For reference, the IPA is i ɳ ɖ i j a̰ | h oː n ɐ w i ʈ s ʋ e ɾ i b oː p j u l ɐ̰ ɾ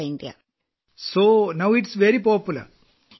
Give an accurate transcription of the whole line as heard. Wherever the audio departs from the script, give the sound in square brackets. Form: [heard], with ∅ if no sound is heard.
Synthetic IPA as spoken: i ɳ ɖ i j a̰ | [s] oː n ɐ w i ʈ s ʋ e ɾ i [p] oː p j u l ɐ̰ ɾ